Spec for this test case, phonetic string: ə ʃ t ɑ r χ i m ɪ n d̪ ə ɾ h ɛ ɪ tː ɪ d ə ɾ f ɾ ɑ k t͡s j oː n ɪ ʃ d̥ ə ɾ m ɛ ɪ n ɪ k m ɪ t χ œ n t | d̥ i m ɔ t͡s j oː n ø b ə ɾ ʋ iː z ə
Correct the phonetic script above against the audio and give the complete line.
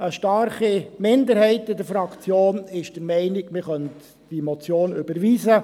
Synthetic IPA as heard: ə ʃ t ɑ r χ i m ɪ n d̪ ə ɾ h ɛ ɪ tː ɪ d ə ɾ f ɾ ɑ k t͡s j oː n ɪ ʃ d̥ ə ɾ m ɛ ɪ n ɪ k m ɪ χ œ n t | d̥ i m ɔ t͡s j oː n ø b ə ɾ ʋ iː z ə